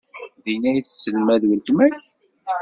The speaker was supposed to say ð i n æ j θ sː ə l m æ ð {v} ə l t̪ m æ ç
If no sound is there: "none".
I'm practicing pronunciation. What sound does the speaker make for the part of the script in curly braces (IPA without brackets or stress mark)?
w